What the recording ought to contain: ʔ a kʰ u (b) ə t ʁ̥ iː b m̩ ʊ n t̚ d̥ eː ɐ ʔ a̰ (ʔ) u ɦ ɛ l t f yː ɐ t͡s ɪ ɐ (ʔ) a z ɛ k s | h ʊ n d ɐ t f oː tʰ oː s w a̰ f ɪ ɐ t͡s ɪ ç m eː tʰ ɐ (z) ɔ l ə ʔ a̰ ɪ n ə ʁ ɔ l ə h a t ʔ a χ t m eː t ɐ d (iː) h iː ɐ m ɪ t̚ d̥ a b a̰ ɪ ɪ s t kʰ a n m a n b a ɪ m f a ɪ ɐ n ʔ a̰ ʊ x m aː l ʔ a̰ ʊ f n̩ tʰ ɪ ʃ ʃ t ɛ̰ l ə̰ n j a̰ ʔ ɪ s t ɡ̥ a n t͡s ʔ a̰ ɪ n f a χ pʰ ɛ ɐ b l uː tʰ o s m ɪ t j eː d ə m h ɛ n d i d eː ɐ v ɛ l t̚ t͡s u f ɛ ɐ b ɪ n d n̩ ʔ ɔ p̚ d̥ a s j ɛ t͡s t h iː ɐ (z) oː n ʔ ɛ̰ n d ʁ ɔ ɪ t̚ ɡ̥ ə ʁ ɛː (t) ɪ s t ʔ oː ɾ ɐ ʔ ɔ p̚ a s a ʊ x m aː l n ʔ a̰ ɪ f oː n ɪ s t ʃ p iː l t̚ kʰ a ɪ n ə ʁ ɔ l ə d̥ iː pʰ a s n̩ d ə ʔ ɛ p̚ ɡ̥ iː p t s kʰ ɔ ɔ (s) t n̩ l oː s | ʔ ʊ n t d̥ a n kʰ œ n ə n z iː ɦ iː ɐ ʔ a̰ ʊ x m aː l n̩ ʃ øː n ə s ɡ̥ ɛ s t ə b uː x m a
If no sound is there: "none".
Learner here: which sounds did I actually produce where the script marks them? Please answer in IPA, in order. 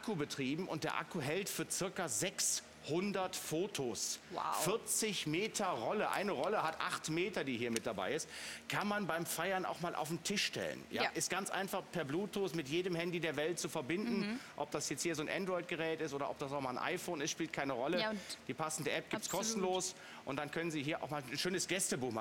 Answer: b, k, k, ʁ, iː, z, t, s

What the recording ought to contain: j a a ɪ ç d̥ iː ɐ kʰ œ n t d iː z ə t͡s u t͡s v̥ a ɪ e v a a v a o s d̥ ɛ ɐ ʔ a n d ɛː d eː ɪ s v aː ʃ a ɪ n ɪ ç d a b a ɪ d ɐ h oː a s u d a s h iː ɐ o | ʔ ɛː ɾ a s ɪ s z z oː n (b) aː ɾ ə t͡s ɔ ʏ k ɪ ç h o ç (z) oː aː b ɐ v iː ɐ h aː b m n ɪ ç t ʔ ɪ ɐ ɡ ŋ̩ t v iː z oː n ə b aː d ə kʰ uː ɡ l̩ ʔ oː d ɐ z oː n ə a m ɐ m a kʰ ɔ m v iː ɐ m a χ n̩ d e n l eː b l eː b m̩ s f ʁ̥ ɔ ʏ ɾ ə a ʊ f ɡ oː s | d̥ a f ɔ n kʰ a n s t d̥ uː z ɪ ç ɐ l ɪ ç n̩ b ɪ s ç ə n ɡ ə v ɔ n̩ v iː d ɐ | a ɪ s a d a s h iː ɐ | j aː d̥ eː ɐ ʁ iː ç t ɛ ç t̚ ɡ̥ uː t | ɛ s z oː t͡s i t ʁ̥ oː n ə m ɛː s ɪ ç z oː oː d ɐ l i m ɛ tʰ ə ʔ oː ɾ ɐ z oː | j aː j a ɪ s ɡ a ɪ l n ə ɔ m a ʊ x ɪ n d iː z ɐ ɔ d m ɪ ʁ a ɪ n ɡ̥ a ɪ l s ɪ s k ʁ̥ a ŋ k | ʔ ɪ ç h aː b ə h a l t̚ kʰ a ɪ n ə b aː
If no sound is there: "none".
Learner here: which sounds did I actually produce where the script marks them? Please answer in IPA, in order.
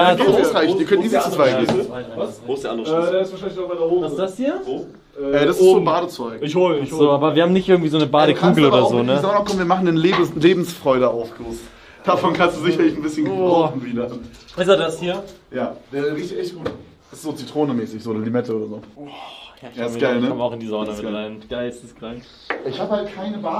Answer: b, z

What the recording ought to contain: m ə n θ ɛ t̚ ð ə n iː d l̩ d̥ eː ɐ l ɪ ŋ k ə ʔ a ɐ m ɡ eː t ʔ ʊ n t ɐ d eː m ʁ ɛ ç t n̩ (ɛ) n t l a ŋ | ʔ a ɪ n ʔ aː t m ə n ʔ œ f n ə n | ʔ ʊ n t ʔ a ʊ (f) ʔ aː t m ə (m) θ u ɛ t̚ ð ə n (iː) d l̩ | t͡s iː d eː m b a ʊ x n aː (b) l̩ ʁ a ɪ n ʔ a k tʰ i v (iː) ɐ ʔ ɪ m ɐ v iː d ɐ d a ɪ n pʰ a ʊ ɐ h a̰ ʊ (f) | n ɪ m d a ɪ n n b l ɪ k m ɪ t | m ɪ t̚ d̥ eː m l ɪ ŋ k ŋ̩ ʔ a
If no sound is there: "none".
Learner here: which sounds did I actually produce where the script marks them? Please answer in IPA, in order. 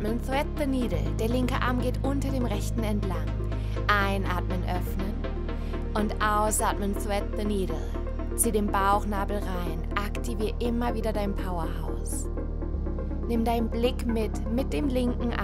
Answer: ɛ, s, n, iː, b, iː, s

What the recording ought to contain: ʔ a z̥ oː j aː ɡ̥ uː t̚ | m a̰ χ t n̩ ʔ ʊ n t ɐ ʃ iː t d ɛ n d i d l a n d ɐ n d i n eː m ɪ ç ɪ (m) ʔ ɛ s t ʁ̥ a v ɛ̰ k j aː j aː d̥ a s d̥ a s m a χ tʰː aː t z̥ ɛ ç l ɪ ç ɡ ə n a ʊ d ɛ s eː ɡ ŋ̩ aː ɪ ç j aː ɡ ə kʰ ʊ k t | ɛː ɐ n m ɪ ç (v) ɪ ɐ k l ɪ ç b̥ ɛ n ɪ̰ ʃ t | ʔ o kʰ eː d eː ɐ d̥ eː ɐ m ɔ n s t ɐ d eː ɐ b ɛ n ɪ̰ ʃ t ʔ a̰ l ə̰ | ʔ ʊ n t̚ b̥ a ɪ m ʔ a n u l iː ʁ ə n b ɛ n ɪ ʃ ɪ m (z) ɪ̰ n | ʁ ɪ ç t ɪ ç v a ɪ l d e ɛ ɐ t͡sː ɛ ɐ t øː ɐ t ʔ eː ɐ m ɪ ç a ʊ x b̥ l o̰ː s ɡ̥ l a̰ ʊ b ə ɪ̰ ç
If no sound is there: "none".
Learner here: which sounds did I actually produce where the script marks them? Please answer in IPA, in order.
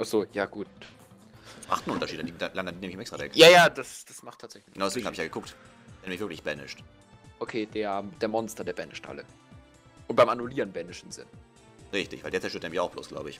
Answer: m, v, z

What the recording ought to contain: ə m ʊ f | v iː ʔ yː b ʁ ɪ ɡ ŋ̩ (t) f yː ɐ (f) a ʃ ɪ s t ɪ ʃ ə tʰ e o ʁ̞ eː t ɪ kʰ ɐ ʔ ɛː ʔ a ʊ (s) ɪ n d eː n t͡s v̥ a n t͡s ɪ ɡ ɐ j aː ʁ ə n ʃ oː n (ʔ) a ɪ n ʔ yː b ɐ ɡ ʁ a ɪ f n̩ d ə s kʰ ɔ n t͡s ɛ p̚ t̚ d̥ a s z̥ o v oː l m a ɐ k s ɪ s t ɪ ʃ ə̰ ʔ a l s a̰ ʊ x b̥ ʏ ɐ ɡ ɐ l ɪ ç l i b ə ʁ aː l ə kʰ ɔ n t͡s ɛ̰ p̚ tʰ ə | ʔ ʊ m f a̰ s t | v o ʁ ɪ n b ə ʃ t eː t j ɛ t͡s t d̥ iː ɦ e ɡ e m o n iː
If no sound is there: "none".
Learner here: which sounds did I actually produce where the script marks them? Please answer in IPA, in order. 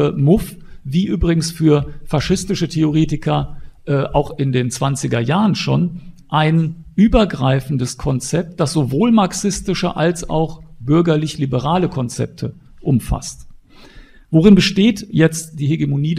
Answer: s, f, x, ʔ

